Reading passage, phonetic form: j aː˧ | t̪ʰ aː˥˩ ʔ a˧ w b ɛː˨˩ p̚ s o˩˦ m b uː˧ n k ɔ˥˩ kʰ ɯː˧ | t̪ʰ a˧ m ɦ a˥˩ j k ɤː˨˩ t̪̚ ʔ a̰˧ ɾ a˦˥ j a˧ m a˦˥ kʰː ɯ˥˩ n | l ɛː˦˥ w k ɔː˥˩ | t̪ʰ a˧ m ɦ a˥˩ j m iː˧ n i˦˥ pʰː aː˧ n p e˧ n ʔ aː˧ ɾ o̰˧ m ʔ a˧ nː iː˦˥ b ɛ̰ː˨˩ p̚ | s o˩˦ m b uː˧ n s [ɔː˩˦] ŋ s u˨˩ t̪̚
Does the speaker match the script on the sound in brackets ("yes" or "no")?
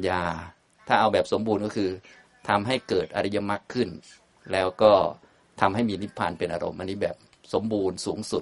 no